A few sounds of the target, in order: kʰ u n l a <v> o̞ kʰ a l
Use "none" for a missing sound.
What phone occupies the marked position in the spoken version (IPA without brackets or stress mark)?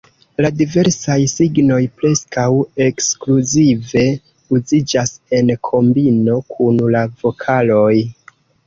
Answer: v